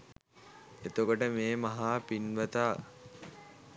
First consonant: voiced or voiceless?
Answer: voiceless